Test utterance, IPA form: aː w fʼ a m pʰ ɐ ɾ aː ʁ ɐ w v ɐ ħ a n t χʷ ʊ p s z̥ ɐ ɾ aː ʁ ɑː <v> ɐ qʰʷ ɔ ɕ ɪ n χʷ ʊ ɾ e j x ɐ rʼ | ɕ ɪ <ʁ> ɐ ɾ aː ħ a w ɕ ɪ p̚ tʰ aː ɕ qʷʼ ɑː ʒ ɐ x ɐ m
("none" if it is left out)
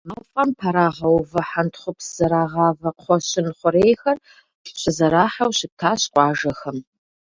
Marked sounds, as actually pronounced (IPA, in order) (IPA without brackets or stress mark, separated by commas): v, z